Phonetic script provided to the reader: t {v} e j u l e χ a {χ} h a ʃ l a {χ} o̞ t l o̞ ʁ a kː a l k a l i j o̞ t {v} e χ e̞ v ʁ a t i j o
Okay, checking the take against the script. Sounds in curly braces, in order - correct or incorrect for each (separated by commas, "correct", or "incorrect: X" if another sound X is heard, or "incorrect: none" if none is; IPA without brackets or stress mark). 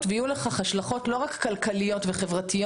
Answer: correct, correct, correct, correct